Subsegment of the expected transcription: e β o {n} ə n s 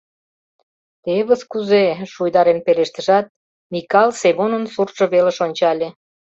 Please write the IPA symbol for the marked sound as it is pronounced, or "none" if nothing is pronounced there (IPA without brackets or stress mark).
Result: n